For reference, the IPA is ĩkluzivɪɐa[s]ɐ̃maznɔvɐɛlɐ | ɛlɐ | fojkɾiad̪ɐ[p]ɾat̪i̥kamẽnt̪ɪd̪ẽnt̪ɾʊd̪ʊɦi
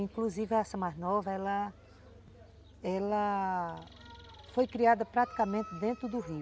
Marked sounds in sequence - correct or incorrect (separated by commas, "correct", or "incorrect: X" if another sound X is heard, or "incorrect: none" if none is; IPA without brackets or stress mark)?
correct, correct